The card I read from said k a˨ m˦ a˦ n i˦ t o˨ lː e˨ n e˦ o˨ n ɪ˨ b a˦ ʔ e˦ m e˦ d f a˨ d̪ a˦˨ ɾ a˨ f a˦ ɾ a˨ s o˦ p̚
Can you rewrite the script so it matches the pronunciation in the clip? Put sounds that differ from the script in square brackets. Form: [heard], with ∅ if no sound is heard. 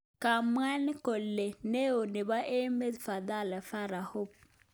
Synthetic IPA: k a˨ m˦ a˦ n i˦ [k] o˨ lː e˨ n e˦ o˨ n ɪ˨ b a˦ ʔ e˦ m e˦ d f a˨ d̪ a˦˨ [l] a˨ f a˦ ɾ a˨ [h] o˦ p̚